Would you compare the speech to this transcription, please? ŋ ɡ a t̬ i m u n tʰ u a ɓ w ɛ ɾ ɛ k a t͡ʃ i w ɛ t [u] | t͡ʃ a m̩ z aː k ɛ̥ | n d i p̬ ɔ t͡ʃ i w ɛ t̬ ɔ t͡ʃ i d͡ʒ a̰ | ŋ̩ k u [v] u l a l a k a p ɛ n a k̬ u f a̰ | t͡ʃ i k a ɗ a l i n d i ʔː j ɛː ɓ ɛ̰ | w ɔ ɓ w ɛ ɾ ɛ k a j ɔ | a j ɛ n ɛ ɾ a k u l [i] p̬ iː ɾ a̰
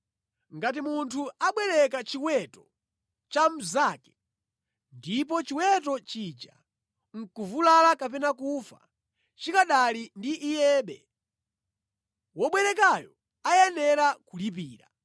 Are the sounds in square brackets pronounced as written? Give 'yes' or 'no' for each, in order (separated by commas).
no, yes, yes